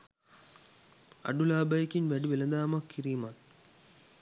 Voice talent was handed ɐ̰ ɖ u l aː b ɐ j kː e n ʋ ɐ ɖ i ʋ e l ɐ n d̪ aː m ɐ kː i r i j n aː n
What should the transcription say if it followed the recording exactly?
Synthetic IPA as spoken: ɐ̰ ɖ u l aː b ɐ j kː i n ʋ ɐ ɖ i ʋ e l ɐ n d̪ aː m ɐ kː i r i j m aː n